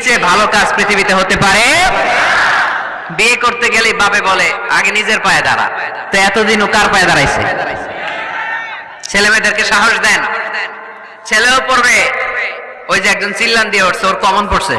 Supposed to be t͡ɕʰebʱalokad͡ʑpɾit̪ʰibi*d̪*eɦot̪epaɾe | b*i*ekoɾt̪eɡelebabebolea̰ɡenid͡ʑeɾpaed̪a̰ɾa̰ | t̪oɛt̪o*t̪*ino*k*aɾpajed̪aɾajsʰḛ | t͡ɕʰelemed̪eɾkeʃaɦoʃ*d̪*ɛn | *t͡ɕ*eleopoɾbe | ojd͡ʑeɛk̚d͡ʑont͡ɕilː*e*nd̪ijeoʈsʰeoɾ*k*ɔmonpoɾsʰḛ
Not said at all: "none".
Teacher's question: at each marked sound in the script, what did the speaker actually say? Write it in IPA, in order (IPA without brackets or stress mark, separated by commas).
t̪, i, d̪, k, d̪, t͡ɕʰ, a, k